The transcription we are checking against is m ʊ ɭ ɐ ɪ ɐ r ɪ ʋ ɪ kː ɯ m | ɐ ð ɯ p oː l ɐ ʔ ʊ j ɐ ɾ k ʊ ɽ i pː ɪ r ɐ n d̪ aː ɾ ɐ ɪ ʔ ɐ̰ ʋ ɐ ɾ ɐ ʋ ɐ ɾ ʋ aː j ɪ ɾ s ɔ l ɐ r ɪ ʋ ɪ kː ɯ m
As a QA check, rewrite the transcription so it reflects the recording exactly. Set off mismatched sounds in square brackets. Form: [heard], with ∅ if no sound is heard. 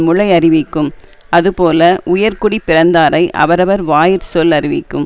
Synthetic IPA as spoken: m ʊ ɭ ɐ ɪ ɐ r ɪ ʋ ɪ kː ɯ m | ɐ ð ɯ p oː l ɐ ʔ ʊ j ɐ ɾ k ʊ ɽ i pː ɪ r ɐ n d̪ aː ɾ ɐ ɪ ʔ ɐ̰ ʋ ɐ ɾ ɐ ʋ ɐ ɾ ʋ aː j ɪ ɾ s ɔ l ɐ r ɪ ʋ ɪ kː ɯ m